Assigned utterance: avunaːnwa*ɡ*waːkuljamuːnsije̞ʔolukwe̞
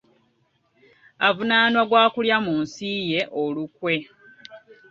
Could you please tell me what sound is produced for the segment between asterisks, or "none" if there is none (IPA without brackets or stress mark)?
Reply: ɡ